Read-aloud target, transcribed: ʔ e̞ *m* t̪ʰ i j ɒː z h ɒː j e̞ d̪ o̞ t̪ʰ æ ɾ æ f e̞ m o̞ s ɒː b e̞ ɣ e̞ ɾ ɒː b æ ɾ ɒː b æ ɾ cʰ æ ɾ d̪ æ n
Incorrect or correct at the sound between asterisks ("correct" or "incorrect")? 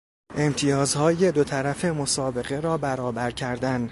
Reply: correct